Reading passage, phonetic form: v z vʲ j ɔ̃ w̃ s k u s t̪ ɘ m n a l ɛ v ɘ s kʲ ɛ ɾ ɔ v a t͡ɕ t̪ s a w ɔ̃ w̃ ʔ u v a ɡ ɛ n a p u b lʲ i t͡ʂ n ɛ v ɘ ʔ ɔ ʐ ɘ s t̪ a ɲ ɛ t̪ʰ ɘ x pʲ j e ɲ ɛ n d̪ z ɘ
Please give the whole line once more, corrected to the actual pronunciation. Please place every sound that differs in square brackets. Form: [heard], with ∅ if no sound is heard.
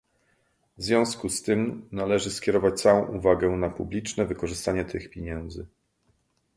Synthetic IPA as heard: v z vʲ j ɔ̃ w̃ s k u s t̪ ɘ m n a l ɛ [ʐ] ɘ s kʲ ɛ ɾ ɔ v a t͡ɕ t̪ s a w ɔ̃ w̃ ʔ u v a ɡ ɛ n a p u b lʲ i t͡ʂ n ɛ v ɘ [k] ɔ ʐ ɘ s t̪ a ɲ ɛ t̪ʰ ɘ x pʲ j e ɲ ɛ n d̪ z ɘ